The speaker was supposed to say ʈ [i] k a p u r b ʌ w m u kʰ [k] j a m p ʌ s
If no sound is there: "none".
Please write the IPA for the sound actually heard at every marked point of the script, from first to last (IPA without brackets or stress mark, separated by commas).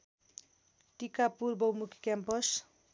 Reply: i, k